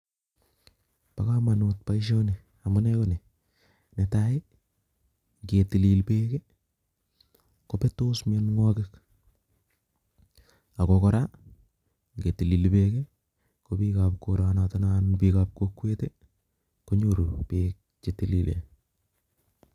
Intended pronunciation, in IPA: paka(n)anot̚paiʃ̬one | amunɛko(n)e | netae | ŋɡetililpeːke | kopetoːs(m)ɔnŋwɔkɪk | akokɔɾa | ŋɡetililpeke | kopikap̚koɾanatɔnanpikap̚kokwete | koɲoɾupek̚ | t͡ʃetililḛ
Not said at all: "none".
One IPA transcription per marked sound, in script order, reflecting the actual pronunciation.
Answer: m, n, m

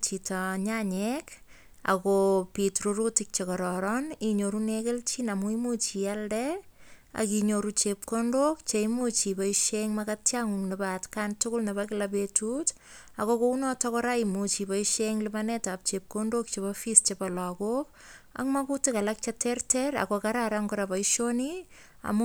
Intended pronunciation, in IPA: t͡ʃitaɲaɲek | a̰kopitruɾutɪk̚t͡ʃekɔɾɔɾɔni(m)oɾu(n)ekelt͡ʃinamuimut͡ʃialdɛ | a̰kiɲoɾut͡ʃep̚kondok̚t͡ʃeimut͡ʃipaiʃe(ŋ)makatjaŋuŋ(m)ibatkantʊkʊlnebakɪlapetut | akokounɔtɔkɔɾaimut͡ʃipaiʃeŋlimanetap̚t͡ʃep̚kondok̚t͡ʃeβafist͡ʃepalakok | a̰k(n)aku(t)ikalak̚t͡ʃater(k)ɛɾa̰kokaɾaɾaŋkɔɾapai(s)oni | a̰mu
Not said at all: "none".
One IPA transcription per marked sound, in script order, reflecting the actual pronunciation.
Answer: ɲ, n, ŋ, n, m, t, t, ʃ

